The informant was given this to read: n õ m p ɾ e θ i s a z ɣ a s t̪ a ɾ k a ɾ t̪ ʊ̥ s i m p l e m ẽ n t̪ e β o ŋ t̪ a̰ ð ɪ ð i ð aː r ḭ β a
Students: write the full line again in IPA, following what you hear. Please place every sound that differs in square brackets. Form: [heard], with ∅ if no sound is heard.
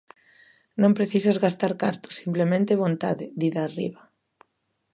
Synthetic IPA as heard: n õ m p ɾ e θ i s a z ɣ a s t̪ a ɾ k a ɾ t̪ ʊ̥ s i m p l e m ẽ n t̪ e β o [n] t̪ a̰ ð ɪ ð i ð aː r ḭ β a